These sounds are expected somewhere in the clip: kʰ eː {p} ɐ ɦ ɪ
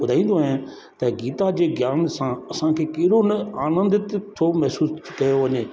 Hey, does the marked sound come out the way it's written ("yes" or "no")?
no